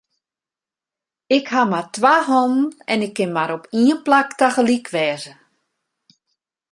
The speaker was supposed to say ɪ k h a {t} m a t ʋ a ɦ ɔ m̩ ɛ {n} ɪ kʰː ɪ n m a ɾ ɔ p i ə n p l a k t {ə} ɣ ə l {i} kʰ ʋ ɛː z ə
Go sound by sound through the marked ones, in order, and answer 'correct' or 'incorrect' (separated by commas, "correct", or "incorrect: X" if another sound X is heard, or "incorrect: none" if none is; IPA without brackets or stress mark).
incorrect: none, correct, incorrect: a, correct